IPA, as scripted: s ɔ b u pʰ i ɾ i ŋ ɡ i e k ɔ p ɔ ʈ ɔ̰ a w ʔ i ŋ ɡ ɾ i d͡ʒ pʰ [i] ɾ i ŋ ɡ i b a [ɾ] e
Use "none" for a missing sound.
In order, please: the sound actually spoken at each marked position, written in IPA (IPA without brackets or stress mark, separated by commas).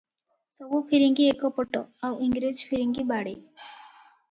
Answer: i, ɽ